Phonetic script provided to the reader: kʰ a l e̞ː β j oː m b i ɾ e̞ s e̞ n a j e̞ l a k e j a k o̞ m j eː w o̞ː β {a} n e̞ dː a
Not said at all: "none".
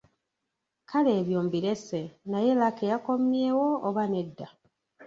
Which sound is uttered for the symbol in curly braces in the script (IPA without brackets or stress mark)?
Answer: a